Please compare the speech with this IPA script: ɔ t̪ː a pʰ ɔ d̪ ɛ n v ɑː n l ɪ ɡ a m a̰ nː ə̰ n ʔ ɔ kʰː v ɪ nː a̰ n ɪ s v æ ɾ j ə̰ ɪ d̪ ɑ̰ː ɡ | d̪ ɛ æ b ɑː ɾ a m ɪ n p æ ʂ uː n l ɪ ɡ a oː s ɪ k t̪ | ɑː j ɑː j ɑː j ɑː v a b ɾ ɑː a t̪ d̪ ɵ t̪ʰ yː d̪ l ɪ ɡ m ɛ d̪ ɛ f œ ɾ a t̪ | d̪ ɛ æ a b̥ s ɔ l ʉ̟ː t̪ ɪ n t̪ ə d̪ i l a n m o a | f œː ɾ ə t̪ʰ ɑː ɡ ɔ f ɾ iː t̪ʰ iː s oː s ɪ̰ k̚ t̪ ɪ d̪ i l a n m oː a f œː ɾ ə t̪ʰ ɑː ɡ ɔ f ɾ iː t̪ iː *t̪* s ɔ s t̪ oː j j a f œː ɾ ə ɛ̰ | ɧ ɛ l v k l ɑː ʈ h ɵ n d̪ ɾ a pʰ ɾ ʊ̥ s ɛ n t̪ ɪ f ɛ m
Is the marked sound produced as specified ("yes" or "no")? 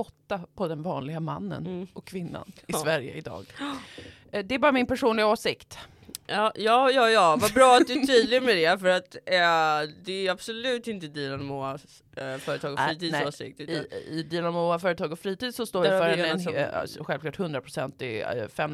no